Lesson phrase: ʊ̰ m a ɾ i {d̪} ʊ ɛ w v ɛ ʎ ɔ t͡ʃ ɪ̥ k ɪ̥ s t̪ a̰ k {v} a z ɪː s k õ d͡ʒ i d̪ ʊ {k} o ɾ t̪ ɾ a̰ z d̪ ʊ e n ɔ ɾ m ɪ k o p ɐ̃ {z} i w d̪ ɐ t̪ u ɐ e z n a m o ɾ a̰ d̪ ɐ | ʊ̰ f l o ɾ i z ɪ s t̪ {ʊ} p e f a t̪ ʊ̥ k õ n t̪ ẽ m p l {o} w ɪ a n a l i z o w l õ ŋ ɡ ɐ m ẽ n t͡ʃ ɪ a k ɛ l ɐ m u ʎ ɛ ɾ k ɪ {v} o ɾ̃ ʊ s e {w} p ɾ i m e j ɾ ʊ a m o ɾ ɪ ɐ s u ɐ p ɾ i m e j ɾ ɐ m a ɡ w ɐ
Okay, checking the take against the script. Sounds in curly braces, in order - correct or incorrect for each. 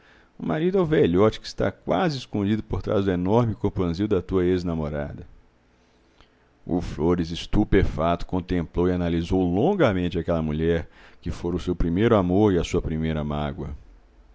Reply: correct, incorrect: w, incorrect: p, correct, incorrect: u, correct, incorrect: f, correct

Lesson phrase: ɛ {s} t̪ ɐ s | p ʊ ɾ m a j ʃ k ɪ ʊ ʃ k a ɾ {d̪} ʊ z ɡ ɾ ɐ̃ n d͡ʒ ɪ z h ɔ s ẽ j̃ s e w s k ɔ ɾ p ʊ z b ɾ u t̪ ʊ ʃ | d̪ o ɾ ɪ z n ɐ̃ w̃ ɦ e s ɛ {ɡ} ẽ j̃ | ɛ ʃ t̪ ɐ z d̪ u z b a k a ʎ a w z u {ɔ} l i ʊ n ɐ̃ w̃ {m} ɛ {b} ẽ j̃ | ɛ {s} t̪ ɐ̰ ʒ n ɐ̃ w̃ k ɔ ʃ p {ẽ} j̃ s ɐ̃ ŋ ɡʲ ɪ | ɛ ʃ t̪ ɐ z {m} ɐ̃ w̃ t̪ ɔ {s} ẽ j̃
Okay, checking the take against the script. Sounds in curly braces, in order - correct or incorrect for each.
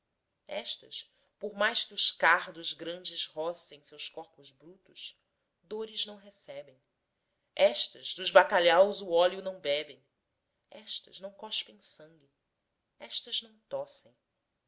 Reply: incorrect: ʃ, correct, incorrect: b, correct, incorrect: b, correct, incorrect: ʃ, correct, incorrect: n, correct

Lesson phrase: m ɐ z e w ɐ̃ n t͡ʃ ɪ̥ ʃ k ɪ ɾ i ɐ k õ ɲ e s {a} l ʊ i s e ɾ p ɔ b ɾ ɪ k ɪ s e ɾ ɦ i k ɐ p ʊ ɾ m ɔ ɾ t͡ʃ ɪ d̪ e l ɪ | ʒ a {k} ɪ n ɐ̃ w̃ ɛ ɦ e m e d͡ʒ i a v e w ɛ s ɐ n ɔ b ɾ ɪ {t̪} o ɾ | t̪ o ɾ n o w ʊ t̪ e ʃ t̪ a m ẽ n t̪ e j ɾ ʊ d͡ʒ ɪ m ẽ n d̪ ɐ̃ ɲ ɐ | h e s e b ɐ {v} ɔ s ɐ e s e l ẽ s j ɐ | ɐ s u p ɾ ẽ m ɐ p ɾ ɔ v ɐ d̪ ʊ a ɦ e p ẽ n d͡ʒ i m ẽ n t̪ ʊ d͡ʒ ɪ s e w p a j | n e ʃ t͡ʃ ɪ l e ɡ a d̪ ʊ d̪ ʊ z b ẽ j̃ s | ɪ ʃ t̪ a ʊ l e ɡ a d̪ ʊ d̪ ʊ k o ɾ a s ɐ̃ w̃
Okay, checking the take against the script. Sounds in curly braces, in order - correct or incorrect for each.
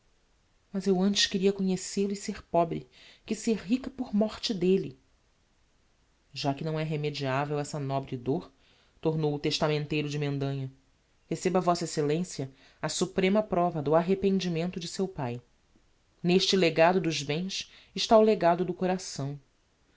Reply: incorrect: e, correct, incorrect: d̪, correct

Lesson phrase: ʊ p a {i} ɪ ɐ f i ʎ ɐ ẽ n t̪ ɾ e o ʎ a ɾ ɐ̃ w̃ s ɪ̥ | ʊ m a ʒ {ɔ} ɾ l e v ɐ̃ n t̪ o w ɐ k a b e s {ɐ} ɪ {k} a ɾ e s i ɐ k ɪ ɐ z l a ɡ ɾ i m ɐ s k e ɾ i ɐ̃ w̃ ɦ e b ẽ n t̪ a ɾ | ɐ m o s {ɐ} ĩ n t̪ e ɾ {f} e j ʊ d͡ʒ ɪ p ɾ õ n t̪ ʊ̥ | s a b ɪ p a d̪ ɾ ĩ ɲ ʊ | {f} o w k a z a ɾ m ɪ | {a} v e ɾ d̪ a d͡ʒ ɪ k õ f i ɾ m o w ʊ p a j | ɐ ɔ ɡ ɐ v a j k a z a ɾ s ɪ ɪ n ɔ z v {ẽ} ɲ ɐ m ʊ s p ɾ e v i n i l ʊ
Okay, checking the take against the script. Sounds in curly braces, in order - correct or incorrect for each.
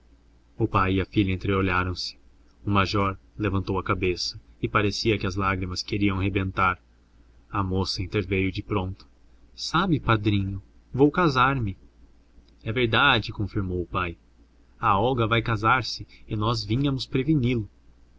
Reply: incorrect: j, correct, correct, incorrect: p, correct, incorrect: v, incorrect: v, incorrect: ɛ, incorrect: ĩ

